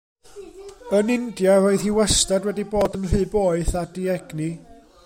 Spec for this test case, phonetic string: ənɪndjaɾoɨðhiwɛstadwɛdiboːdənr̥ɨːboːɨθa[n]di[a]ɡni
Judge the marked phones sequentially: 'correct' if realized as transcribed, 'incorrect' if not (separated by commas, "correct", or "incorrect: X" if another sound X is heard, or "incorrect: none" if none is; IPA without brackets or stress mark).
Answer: incorrect: none, incorrect: ɛ